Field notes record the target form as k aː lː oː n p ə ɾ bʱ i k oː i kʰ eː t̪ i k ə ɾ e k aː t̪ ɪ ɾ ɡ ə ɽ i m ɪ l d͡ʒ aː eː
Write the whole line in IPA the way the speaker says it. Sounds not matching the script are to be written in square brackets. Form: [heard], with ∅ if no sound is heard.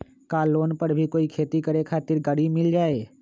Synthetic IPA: k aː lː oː n p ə ɾ bʱ i k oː i kʰ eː t̪ i k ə ɾ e [kʰ] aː t̪ ɪ ɾ ɡ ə ɽ i m ɪ l d͡ʒ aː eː